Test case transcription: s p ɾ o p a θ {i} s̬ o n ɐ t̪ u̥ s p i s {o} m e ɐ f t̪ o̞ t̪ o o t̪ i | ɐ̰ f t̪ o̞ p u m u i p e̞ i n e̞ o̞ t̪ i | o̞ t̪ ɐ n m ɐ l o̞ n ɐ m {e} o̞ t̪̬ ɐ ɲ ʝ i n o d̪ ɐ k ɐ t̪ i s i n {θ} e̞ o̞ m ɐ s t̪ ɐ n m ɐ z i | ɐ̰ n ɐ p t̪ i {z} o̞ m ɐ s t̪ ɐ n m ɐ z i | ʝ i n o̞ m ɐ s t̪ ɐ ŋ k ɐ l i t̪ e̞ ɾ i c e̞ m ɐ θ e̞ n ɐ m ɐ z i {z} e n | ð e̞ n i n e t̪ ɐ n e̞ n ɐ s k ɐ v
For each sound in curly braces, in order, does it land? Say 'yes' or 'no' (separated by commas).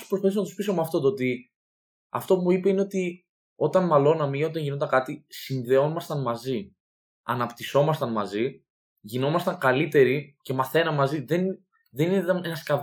yes, yes, no, no, no, no